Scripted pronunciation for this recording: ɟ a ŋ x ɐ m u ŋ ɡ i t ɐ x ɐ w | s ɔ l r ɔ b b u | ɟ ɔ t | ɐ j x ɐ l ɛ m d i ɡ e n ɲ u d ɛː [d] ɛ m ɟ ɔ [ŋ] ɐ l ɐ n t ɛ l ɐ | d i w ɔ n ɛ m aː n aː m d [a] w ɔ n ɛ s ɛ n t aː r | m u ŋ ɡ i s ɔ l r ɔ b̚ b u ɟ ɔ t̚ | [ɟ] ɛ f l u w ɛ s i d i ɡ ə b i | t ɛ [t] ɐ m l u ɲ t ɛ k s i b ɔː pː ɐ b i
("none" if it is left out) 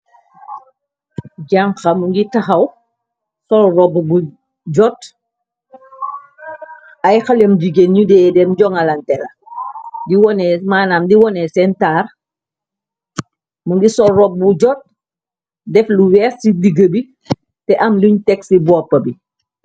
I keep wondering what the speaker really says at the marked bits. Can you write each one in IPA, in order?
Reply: d, ŋ, i, d, ʔ

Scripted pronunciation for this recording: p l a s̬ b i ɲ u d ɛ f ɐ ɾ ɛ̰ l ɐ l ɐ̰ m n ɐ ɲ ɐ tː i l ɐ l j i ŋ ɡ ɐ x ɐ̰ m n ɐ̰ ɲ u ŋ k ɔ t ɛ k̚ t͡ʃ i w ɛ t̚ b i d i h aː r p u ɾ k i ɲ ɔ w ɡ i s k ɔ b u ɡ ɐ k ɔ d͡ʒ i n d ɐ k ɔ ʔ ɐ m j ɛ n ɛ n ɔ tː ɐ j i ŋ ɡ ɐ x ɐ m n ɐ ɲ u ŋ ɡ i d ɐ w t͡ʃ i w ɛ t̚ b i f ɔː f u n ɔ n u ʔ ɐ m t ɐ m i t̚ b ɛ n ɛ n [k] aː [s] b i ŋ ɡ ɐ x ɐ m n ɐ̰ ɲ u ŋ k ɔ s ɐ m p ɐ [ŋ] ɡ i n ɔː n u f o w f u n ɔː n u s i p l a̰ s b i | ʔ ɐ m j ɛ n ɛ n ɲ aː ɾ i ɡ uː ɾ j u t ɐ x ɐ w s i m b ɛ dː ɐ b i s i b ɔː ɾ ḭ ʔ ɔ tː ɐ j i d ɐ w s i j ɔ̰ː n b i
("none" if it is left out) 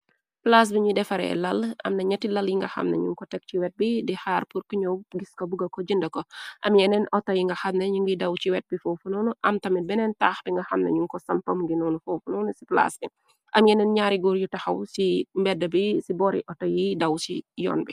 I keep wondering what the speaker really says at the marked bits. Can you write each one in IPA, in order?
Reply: t, x, m

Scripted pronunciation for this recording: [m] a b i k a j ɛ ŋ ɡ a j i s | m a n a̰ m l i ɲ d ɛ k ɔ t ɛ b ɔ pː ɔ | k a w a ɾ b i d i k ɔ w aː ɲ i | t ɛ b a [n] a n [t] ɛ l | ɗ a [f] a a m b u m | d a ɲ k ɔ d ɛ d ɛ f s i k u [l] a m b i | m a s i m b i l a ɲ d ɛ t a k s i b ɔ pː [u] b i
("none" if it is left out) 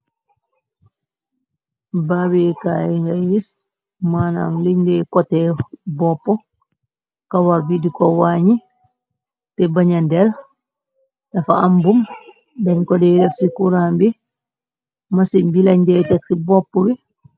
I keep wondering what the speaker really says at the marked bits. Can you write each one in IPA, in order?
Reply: b, ɲ, d, f, ɾ, ɔ

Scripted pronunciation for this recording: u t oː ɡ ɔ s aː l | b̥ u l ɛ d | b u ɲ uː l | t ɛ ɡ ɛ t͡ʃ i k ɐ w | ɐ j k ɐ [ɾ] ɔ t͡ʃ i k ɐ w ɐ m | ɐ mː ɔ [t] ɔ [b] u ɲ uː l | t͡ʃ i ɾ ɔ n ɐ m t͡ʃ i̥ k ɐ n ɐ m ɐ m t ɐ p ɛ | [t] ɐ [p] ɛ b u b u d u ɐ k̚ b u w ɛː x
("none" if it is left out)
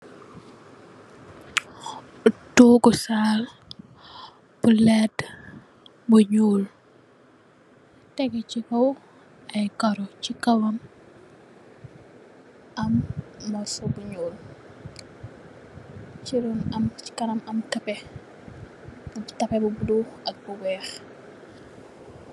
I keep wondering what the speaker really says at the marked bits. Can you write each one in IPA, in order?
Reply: ɾ, s, b, t, p

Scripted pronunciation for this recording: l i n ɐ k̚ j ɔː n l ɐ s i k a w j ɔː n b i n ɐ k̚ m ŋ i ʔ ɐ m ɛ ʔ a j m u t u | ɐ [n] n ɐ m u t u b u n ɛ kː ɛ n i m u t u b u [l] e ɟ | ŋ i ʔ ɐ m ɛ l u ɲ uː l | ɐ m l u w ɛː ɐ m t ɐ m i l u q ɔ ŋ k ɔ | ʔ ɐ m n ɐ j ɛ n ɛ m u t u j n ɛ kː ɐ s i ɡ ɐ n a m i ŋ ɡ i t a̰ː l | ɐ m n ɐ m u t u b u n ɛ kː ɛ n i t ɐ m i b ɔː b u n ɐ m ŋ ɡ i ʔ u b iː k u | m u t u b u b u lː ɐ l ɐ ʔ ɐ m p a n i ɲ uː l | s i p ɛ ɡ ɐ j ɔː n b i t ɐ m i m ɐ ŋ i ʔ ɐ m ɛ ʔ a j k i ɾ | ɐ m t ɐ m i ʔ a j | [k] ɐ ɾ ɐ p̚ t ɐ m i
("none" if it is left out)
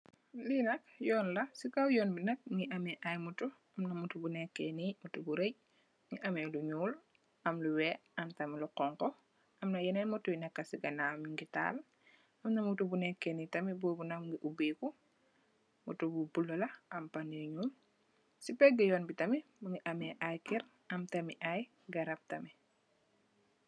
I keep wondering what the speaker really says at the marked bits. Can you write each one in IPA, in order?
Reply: m, ɾ, ɡ

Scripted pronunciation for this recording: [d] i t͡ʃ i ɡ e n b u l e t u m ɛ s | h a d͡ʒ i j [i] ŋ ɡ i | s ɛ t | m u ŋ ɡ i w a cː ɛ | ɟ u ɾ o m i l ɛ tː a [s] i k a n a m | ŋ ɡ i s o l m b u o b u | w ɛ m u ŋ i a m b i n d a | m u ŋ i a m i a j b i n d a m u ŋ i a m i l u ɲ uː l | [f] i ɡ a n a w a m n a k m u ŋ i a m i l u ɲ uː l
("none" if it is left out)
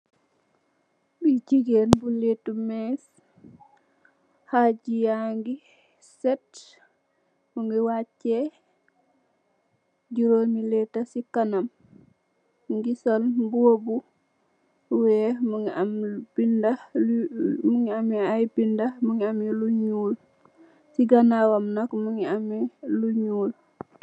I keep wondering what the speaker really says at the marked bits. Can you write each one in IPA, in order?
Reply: b, a, s, s

